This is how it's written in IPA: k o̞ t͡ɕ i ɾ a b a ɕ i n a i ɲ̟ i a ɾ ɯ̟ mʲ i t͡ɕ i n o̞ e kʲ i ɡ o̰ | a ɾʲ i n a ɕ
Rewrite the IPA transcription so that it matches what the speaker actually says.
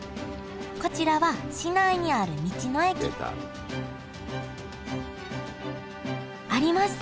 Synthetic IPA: k o̞ t͡ɕ i ɾ a β a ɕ i n a i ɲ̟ i a ɾ ɯ̟ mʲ i t͡ɕ i n o̞ e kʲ i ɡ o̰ | a ɾʲ i m a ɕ